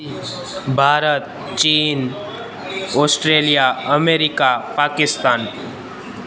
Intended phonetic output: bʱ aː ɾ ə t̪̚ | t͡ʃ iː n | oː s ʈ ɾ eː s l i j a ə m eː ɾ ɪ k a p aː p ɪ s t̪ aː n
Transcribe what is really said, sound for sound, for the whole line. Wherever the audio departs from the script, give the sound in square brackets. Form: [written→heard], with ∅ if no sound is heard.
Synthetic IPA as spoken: bʱ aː ɾ ə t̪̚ | t͡ʃ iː n | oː s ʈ ɾ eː [s→∅] l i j a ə m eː ɾ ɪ k a p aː [p→k] ɪ s t̪ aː n

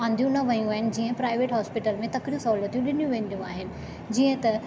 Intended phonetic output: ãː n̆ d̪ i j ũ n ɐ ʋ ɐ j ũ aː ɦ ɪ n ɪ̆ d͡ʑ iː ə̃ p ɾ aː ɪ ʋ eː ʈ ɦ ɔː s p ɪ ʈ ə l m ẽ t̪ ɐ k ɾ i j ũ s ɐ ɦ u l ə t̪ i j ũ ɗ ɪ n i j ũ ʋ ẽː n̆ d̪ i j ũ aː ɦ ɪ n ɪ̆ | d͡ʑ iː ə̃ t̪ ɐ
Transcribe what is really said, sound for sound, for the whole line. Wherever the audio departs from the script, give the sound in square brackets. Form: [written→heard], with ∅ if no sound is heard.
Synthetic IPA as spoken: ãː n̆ d̪ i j ũ n ɐ ʋ ɐ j ũ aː ɦ ɪ n ɪ̆ d͡ʑ iː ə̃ p ɾ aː ɪ ʋ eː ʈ ɦ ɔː s p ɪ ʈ ə l m ẽ t̪ ɐ k ɾ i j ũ s ɐ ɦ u l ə t̪ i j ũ ɗ ɪ n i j ũ ʋ ẽː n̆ d̪ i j ũ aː ɦ ɪ n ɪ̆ | d͡ʑ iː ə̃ t̪ ɐ

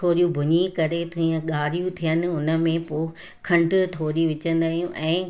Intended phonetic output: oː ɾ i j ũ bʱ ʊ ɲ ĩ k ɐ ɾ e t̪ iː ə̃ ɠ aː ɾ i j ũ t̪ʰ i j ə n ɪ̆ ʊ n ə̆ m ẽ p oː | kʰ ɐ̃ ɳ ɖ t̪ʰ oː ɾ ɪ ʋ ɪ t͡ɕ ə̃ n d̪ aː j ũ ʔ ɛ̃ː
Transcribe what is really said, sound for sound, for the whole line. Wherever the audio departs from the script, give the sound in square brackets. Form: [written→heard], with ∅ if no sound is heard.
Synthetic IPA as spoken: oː ɾ i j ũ bʱ ʊ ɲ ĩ k ɐ ɾ e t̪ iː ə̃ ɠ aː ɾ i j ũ t̪ʰ i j ə n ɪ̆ ʊ n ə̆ m ẽ p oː | kʰ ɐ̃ ɳ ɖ t̪ʰ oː ɾ [ɪ→i] ʋ ɪ t͡ɕ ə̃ n d̪ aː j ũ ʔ ɛ̃ː

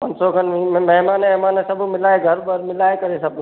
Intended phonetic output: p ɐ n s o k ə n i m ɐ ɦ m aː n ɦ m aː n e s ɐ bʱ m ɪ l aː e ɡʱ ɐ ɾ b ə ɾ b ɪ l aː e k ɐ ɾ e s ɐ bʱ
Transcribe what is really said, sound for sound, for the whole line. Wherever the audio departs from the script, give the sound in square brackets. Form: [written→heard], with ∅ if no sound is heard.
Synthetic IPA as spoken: p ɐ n s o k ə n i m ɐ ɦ m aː n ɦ m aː n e s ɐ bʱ m ɪ l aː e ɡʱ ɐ ɾ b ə ɾ [b→m] ɪ l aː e k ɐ ɾ e s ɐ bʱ

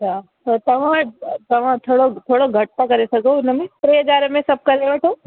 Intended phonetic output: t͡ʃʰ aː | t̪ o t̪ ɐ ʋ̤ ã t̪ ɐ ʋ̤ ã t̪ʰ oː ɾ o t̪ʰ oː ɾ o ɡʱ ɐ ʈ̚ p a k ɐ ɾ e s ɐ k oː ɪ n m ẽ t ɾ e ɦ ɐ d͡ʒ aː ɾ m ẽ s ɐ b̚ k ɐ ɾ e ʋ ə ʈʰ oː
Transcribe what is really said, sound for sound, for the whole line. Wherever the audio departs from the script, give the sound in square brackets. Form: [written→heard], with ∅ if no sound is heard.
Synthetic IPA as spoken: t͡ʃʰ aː | t̪ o t̪ ɐ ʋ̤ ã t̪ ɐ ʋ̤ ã t̪ʰ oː [ɾ→ɽ] o t̪ʰ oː [ɾ→ɽ] o ɡʱ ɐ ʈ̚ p a k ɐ ɾ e s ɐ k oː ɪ n m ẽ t ɾ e ɦ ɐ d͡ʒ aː ɾ m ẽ s ɐ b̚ k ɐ ɾ e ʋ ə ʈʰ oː

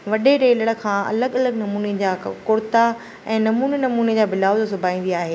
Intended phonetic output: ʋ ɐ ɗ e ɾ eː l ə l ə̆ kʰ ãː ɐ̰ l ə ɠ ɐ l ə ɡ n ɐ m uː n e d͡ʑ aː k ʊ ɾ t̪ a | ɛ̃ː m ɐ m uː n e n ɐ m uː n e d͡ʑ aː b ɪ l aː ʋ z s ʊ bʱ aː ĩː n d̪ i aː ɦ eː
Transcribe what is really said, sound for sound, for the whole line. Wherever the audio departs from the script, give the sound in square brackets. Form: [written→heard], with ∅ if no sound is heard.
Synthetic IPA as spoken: ʋ ɐ ɗ e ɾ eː l ə [l→ɽ] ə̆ kʰ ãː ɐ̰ l ə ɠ ɐ l ə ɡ n ɐ m uː n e d͡ʑ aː k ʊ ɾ t̪ a | ɛ̃ː [m→n] ɐ m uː n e n ɐ m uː n e d͡ʑ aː b ɪ l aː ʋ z s ʊ bʱ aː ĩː n d̪ i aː ɦ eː

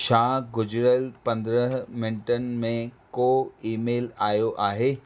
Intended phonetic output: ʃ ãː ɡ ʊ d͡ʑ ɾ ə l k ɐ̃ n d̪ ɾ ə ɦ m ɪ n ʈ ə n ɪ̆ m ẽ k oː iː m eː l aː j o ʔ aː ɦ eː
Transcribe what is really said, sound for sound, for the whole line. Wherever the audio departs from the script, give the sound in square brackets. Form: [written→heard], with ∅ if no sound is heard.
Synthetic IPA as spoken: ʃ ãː ɡ ʊ d͡ʑ ɾ ə l [k→p] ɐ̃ n d̪ ɾ ə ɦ m ɪ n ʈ ə n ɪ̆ m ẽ k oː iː m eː l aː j o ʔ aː ɦ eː

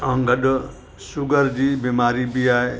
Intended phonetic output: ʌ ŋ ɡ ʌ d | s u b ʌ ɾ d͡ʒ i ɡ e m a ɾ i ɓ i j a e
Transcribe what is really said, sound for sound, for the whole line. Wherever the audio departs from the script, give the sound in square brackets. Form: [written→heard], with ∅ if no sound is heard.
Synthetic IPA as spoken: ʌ ŋ ɡ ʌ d | s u [b→ɡ] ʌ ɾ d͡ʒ i [ɡ→b] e m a ɾ i [ɓ→b] i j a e

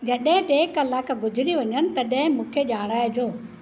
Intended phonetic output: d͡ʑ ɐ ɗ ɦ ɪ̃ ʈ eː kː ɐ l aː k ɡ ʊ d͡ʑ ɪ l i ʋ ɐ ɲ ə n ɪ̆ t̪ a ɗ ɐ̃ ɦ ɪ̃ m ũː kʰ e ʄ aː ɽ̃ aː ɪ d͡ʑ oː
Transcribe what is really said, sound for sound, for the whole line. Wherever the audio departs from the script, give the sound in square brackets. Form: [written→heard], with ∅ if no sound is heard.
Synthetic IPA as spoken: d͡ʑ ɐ ɗ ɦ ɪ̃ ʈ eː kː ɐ l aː k ɡ ʊ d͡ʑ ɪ [l→ɾ] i ʋ ɐ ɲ ə n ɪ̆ t̪ [a→ɐ] ɗ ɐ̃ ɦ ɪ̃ m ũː kʰ e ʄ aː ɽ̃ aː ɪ d͡ʑ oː

